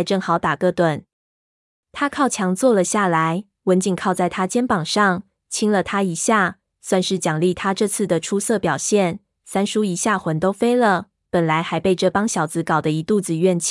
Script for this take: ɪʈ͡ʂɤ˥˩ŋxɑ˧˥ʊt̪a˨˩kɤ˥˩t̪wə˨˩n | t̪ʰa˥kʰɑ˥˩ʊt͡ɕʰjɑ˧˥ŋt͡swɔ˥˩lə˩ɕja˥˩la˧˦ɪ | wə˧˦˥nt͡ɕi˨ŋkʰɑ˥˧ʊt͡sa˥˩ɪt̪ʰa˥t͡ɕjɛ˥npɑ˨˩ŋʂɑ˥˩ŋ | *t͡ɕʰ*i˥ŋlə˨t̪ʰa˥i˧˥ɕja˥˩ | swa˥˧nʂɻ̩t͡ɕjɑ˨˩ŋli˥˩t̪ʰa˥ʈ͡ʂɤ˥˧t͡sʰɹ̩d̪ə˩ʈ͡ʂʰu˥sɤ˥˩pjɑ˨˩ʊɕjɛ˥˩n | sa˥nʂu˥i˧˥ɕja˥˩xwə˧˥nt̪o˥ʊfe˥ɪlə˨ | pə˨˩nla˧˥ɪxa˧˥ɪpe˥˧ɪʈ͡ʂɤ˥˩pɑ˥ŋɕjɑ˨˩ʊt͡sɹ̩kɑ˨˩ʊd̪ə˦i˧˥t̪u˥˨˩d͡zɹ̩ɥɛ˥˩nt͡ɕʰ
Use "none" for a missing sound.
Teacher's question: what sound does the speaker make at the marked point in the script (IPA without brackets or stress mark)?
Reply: t͡ɕʰ